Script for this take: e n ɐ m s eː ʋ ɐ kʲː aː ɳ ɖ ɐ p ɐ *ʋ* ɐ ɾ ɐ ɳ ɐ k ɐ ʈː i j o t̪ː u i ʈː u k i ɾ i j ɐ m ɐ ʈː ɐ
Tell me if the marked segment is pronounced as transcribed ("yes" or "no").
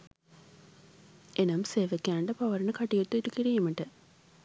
yes